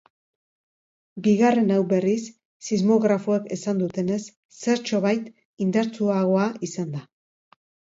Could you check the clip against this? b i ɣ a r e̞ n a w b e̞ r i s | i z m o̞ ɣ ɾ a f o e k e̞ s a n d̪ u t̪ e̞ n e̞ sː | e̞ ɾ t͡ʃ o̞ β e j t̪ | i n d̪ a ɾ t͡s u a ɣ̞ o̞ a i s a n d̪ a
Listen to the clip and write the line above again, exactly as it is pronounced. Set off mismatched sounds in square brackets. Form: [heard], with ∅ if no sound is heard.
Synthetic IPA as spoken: b i ɣ a r e̞ n a w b e̞ r i [sː] | i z m o̞ ɣ ɾ a f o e k e̞ s a n d̪ u t̪ e̞ n e̞ sː | e̞ ɾ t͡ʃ o̞ β [a] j t̪ | i n d̪ a ɾ t͡s u a ɣ̞ o̞ a i s a n d̪ a